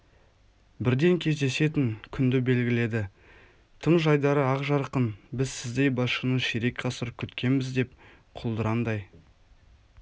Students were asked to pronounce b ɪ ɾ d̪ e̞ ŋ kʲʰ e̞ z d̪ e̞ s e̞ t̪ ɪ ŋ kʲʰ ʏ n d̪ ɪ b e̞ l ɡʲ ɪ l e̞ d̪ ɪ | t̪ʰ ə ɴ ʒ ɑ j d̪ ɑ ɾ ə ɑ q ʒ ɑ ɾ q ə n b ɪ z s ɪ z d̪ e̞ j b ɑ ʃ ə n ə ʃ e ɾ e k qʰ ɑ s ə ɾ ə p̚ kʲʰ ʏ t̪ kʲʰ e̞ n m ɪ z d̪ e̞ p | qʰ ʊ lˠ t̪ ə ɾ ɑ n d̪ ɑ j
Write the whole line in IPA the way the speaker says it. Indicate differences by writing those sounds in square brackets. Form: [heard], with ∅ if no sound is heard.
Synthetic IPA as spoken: b ɪ ɾ d̪ e̞ ŋ kʲʰ e̞ z d̪ e̞ s e̞ t̪ ɪ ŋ kʲʰ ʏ n d̪ ɪ b e̞ l ɡʲ ɪ l e̞ d̪ ɪ | t̪ʰ ə ɴ ʒ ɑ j d̪ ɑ ɾ ə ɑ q ʒ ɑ ɾ q ə n b ɪ z s ɪ z d̪ e̞ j b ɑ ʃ ə n ə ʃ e ɾ e k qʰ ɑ s ə ɾ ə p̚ kʲʰ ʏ t̪ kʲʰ e̞ n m ɪ z d̪ e̞ p | qʰ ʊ lˠ [d̪] ə ɾ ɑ n d̪ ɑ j